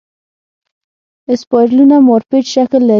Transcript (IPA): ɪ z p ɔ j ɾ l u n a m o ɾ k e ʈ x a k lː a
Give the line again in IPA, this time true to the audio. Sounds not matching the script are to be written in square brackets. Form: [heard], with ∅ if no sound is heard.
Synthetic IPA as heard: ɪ [s] p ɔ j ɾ l u n a m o ɾ [p] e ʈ [ʃ] a k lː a